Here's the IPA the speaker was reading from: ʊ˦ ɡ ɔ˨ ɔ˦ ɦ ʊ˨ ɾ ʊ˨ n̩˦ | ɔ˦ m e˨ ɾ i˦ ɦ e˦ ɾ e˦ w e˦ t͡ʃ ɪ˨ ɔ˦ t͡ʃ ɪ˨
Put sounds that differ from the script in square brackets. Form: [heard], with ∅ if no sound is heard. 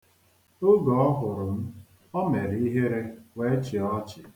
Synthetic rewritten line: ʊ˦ ɡ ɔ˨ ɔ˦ ɦ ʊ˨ ɾ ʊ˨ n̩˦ | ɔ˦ m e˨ ɾ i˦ ɦ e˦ ɾ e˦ w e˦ t͡ʃ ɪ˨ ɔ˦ t͡ʃ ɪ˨